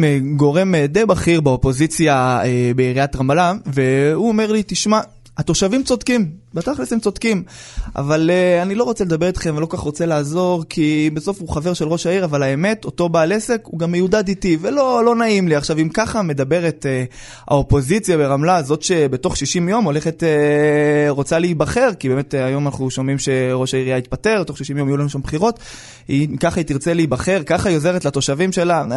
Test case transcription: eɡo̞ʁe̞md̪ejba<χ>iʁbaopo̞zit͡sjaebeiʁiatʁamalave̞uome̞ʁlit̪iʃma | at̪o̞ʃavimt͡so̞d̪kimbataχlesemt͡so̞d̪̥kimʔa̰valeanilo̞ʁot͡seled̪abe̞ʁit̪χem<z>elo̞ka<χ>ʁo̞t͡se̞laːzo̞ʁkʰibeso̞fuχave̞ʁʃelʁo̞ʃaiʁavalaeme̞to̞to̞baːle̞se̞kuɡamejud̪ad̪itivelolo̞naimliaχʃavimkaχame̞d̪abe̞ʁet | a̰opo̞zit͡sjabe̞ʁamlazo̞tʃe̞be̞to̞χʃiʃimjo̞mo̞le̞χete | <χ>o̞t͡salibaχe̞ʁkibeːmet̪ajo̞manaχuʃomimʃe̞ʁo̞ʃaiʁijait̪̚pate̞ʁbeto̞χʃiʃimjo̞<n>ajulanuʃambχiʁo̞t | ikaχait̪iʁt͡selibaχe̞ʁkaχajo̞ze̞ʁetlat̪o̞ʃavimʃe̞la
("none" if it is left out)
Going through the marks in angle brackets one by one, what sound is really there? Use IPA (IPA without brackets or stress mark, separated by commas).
χ, v, χ, ʁ, m